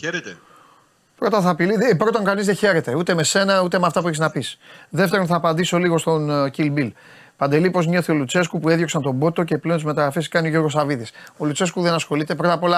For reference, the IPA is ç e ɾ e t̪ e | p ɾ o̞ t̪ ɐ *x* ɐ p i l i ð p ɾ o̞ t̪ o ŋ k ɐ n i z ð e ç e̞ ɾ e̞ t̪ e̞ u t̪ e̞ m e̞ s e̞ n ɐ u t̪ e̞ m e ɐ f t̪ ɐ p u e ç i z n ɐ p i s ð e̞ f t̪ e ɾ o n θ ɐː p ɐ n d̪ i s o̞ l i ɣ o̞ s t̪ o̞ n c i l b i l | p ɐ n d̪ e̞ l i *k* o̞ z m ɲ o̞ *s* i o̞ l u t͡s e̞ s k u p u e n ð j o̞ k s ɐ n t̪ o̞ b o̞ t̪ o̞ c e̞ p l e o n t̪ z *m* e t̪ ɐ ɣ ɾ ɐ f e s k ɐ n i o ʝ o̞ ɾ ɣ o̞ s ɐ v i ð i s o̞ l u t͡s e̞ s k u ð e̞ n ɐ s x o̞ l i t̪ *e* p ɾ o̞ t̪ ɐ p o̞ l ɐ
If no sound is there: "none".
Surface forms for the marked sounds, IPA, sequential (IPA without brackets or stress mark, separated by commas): θ, p, θ, m, e